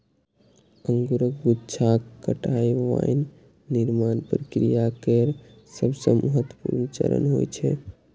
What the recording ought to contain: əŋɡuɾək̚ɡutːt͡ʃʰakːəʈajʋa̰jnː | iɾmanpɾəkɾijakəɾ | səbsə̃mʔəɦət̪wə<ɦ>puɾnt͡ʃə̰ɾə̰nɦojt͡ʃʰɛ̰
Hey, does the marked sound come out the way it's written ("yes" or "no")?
no